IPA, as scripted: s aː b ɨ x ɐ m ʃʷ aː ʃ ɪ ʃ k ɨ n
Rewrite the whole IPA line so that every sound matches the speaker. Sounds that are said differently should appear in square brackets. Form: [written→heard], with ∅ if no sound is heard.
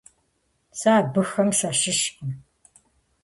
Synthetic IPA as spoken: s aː b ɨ x ɐ m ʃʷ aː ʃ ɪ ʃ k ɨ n